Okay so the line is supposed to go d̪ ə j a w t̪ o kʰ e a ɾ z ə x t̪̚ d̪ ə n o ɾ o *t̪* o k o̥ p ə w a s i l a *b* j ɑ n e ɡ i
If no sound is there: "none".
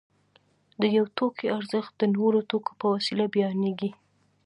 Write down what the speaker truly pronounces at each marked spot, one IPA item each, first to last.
t̪, b

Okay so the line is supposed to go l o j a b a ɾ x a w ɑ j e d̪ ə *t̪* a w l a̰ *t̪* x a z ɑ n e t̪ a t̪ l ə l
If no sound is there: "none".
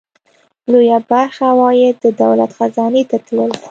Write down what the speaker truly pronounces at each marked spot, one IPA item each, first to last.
d̪, t̪

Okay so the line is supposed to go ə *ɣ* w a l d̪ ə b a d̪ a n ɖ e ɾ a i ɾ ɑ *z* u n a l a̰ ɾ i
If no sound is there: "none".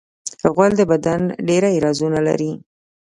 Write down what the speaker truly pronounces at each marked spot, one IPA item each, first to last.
ɣ, z

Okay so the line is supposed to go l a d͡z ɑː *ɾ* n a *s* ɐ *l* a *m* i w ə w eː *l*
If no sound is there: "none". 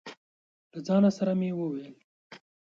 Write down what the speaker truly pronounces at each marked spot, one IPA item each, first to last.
none, s, ɾ, m, l

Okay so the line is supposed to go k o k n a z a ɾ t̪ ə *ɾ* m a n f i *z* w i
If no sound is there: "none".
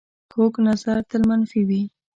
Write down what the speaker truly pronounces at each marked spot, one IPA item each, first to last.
l, none

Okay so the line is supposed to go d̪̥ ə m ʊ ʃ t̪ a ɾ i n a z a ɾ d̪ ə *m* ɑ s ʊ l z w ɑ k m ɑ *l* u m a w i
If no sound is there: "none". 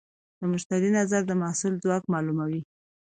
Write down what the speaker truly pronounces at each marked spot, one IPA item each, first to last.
m, l

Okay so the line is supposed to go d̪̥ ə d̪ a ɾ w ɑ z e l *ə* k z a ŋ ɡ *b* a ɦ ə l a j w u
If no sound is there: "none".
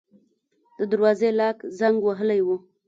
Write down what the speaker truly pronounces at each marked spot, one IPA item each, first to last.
ɑ, w

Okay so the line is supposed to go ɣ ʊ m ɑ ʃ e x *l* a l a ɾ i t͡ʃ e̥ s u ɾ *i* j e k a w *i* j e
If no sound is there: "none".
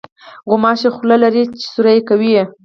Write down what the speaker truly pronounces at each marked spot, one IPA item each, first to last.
l, a, i

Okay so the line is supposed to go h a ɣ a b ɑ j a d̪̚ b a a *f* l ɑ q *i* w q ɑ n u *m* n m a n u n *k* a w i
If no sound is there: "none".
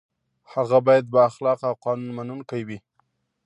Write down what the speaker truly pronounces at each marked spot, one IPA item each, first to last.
x, a, none, k

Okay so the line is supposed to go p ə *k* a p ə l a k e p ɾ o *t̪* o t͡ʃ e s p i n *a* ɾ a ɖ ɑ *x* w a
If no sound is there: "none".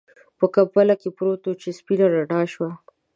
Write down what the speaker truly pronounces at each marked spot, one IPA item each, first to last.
k, t̪, a, ʃ

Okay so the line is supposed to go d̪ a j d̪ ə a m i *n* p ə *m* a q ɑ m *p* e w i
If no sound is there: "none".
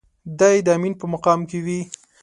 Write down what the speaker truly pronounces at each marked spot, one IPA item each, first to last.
n, m, k

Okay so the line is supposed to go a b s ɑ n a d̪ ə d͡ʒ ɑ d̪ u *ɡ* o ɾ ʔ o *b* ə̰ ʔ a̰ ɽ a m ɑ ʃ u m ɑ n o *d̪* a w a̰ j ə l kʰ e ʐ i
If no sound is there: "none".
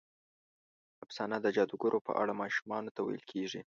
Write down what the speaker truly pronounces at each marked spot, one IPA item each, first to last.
ɡ, p, t̪

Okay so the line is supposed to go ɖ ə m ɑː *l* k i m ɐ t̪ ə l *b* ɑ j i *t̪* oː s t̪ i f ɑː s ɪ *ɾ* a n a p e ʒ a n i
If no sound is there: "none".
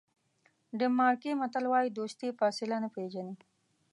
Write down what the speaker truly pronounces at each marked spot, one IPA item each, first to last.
ɾ, w, d̪, l

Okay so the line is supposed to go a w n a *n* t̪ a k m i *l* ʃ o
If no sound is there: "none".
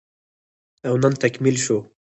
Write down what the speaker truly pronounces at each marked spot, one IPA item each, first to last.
n, l

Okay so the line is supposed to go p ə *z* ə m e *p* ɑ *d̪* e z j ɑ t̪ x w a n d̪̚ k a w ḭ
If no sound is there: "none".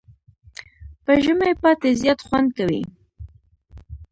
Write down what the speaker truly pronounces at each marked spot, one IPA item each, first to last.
ʒ, p, t̪

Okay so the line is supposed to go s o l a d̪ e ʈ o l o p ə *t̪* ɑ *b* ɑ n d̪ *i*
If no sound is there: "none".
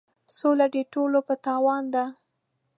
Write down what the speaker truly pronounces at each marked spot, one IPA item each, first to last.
t̪, w, a

